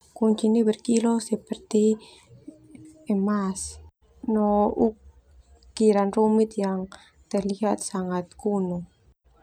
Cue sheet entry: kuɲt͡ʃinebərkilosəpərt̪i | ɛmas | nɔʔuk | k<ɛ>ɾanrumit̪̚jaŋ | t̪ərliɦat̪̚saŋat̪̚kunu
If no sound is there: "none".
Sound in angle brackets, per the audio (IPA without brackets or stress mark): i